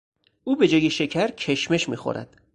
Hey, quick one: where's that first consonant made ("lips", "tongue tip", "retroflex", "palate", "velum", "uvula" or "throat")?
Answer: lips